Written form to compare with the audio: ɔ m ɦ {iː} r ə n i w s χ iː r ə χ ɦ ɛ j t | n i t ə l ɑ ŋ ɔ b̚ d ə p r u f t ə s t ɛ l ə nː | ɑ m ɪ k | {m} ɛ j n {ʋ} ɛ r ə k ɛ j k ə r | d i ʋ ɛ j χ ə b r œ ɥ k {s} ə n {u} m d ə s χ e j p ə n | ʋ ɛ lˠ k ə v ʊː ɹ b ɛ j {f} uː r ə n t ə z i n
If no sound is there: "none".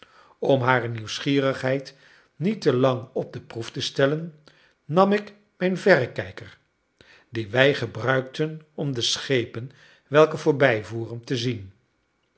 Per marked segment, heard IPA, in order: aː, m, v, t, ɔ, v

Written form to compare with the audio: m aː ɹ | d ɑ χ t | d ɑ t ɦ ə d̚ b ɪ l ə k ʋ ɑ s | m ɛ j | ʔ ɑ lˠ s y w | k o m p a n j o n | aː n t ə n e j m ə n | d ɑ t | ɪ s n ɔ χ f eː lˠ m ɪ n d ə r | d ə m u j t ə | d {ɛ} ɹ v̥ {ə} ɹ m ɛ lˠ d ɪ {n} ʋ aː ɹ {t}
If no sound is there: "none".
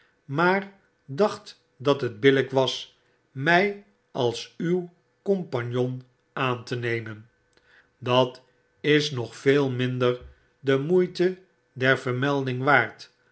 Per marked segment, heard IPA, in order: ɛ, ə, ŋ, t

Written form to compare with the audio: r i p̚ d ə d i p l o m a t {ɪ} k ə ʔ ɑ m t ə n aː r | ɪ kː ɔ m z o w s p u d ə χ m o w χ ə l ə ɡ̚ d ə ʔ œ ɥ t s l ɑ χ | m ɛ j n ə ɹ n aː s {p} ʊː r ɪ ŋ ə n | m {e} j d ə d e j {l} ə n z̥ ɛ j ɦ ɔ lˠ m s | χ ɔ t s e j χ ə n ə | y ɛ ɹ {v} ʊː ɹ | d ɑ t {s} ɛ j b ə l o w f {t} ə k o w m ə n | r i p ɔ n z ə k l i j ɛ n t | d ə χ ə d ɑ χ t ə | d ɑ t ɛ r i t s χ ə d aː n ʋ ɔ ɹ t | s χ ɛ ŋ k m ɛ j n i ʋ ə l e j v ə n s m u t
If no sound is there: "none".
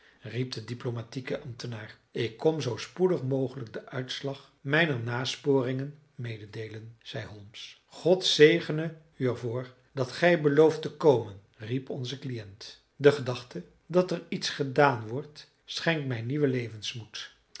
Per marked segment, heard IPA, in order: i, p, e, l, v, χ, t

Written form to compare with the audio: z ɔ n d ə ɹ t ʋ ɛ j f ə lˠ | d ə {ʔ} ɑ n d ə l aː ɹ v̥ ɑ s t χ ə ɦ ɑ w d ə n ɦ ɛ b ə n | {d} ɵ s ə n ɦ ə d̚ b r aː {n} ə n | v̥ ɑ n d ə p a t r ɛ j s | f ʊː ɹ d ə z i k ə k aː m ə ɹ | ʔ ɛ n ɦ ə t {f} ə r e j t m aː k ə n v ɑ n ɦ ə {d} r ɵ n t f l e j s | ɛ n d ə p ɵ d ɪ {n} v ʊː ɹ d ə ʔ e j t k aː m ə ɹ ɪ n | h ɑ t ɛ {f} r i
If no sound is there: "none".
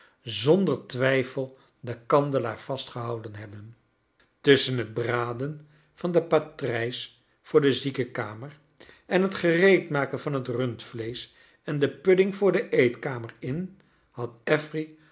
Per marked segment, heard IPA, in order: k, t, d, χ, t, ŋ, f

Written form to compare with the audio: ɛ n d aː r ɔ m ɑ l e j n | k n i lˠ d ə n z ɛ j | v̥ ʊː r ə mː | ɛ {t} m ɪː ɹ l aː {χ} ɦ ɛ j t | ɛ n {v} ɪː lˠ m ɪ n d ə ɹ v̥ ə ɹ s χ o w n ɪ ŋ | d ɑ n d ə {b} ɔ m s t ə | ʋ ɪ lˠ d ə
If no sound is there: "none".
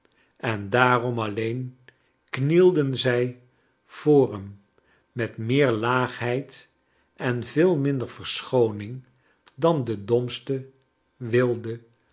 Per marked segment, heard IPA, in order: t, χ, v, d

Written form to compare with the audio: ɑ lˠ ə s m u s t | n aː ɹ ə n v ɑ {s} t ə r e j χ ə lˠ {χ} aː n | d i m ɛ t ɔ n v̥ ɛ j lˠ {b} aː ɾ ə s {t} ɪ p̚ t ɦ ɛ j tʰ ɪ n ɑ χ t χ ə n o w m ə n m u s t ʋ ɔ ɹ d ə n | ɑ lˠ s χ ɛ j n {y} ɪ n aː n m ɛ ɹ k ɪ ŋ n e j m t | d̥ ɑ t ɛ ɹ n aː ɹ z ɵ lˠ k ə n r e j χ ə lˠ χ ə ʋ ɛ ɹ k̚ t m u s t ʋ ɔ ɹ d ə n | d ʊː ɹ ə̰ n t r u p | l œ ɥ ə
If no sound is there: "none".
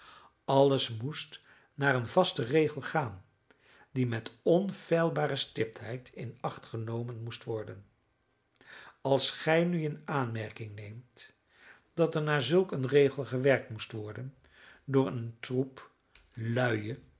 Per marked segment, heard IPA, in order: s, χ, b, t, y

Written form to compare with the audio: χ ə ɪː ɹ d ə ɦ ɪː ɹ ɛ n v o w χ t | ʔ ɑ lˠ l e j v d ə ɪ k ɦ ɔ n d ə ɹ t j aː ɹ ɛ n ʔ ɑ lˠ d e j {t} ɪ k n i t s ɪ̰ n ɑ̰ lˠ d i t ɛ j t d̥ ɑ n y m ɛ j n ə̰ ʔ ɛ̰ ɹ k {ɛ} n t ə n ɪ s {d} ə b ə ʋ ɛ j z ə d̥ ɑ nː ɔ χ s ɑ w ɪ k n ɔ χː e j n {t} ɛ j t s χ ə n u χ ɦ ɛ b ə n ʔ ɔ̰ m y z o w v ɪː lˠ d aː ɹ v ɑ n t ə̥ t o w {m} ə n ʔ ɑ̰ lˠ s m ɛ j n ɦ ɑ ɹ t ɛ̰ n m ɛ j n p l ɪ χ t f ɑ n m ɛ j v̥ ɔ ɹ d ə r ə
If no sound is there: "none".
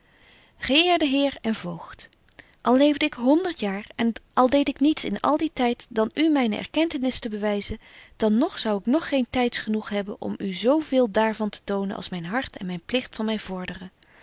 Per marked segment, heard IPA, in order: t, ɛ, t, t, n

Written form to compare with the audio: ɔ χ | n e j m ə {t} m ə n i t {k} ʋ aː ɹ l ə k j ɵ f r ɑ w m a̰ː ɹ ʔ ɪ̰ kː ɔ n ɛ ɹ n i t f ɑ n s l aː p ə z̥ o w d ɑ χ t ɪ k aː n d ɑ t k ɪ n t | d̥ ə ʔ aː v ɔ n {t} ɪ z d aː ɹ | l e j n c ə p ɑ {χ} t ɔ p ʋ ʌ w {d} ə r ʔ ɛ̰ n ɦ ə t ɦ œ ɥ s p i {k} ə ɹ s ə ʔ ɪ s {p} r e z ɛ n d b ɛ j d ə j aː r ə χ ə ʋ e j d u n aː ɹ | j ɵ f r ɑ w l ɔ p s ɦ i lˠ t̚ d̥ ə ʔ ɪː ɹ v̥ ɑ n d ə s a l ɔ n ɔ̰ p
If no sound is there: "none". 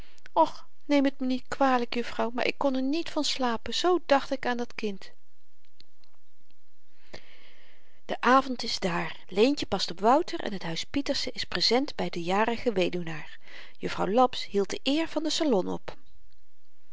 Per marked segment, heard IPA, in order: t, k, t, s, t, t, p

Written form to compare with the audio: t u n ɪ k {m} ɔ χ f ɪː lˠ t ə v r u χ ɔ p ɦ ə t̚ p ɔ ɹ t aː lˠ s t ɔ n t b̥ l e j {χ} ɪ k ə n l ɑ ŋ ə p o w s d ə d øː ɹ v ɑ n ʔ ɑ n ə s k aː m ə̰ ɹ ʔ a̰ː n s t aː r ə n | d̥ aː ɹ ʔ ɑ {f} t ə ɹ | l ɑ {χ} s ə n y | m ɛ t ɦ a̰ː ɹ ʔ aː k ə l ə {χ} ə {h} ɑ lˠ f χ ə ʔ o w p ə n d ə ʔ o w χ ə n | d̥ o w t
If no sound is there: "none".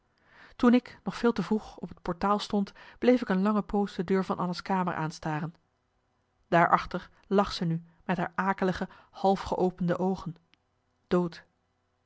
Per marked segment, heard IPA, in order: n, f, χ, χ, χ, h

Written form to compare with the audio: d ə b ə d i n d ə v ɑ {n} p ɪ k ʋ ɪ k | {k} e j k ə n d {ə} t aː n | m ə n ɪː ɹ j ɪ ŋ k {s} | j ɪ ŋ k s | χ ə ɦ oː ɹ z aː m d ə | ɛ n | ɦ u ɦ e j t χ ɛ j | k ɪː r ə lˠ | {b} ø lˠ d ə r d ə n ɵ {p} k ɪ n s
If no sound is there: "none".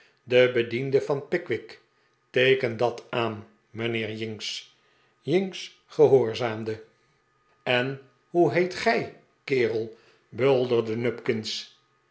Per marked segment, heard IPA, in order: n, t, ɑ, s, b, p

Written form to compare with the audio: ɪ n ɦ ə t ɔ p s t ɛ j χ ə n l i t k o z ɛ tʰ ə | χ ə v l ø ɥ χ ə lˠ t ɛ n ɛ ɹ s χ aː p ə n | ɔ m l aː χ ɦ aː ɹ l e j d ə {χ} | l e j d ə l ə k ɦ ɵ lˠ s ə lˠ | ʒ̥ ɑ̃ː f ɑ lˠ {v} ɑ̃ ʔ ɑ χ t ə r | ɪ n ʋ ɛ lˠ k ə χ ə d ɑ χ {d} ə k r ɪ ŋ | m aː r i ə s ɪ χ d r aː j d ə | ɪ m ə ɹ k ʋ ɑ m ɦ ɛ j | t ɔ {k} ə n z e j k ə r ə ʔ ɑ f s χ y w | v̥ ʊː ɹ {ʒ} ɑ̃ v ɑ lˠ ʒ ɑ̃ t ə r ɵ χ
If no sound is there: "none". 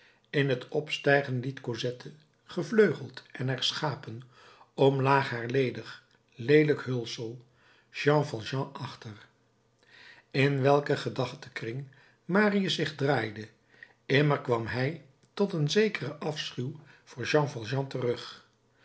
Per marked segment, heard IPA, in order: χ, ʒ, t, t, ʒ

